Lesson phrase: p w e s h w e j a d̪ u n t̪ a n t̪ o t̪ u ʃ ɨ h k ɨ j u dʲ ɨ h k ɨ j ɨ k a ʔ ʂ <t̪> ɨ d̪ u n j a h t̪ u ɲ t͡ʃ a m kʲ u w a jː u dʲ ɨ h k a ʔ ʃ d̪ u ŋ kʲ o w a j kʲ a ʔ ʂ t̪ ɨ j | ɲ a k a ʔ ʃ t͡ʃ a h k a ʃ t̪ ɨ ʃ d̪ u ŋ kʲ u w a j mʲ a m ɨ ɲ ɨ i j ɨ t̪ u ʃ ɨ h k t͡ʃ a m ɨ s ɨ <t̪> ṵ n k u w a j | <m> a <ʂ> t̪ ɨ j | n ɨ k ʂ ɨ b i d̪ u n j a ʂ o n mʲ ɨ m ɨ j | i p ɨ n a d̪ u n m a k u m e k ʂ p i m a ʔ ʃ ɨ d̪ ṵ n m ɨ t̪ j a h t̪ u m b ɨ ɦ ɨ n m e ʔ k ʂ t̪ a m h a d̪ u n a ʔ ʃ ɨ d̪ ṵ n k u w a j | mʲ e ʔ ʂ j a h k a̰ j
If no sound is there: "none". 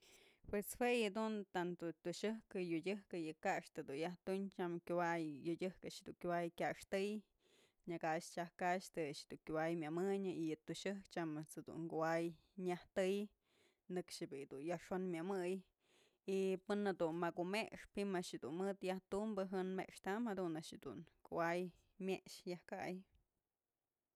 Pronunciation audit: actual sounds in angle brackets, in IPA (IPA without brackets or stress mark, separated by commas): t̪, d̪, ɲ, h